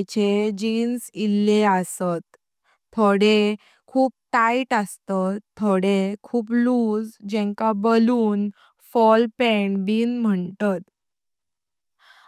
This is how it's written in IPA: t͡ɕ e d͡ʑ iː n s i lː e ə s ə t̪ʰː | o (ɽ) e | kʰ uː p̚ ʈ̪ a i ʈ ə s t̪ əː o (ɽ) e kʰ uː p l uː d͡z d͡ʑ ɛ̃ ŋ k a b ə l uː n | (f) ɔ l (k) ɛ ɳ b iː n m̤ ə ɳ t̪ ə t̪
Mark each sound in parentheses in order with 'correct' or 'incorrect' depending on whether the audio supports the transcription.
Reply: correct, correct, correct, incorrect

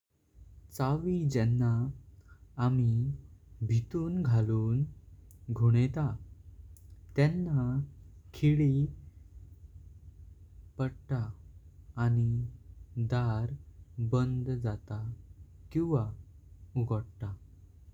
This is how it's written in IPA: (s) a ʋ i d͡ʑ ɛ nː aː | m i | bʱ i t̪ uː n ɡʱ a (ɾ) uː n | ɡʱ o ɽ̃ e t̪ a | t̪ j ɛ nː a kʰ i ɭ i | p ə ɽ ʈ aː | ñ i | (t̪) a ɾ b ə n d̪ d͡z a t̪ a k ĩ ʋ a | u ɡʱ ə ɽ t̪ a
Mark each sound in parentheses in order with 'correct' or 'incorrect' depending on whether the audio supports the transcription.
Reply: incorrect, incorrect, incorrect

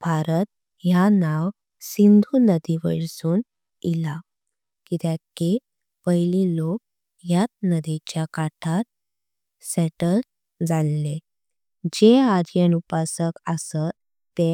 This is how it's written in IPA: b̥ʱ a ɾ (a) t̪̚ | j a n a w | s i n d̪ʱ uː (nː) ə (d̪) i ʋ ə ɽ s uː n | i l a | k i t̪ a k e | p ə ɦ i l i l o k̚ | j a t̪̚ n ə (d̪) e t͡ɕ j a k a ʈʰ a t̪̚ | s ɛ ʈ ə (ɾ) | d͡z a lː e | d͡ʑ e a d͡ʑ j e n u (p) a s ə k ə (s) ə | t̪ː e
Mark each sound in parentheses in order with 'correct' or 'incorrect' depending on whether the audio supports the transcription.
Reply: incorrect, incorrect, correct, correct, incorrect, correct, correct

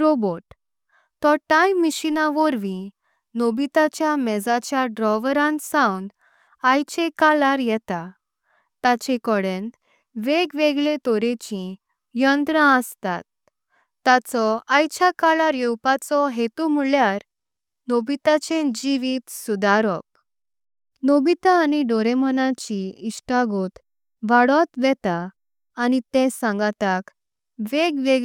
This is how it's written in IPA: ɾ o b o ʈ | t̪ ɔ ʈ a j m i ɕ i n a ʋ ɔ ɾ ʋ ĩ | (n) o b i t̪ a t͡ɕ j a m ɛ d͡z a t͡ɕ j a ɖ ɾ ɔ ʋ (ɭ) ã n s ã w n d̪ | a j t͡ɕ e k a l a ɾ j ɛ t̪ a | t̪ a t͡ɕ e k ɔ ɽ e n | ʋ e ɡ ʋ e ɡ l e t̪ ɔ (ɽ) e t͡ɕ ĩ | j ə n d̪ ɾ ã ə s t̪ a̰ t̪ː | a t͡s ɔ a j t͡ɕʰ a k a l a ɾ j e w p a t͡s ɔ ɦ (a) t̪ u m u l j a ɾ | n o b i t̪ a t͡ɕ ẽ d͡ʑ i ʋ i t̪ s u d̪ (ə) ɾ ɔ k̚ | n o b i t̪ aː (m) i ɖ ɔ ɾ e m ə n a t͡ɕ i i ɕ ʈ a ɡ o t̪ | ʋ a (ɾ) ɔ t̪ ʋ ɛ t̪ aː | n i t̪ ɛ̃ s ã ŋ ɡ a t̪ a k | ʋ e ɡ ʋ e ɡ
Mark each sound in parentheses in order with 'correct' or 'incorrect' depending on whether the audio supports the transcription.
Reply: correct, incorrect, incorrect, incorrect, incorrect, incorrect, incorrect

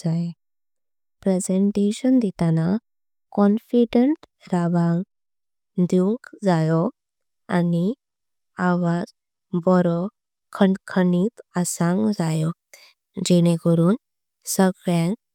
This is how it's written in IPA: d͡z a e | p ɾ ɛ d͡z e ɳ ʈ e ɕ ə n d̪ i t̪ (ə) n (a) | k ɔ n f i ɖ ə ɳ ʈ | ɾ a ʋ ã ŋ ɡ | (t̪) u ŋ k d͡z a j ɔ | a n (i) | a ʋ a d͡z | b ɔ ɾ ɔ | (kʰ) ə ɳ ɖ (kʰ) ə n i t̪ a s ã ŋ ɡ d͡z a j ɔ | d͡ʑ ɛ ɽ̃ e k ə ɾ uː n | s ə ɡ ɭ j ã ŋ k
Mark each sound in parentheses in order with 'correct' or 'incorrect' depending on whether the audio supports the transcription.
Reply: incorrect, correct, incorrect, correct, correct, correct

